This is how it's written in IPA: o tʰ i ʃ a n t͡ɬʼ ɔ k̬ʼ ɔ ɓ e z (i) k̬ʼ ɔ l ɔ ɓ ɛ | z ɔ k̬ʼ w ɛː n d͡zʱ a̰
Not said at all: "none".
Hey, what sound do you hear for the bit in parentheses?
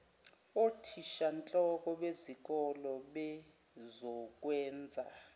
i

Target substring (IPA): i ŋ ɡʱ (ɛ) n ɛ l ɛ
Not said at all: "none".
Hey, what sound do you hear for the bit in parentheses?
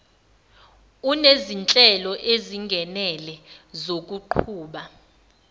ɛ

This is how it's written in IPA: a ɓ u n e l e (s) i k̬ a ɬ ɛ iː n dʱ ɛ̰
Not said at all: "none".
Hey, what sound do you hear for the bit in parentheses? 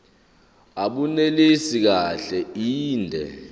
s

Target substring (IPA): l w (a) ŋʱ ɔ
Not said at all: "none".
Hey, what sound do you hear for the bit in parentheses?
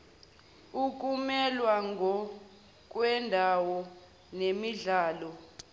a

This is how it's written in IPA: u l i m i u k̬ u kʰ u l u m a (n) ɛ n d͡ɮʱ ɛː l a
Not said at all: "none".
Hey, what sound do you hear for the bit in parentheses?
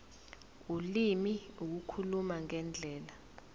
ŋ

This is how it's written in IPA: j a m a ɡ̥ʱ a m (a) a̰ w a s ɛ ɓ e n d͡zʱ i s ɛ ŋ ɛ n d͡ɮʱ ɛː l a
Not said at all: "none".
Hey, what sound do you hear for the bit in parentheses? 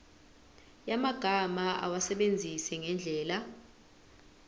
a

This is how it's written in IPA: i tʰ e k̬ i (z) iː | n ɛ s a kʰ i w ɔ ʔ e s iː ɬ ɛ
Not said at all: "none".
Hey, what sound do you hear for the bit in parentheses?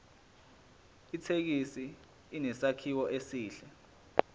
s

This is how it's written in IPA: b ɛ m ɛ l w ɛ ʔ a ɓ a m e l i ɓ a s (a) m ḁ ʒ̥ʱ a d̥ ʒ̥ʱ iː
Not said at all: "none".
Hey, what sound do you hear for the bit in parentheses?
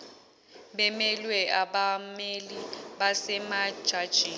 ɛ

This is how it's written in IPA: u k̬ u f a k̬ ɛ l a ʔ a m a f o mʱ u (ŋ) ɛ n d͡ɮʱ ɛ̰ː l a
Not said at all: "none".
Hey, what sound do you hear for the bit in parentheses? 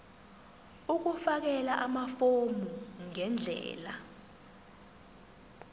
ŋ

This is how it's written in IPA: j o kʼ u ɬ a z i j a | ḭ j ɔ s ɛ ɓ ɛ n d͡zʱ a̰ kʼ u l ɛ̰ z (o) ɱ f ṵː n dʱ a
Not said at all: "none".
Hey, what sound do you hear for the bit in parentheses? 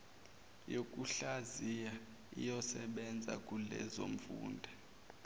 o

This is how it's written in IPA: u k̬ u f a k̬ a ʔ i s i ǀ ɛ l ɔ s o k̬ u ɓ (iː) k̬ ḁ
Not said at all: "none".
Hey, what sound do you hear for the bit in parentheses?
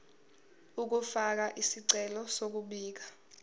iː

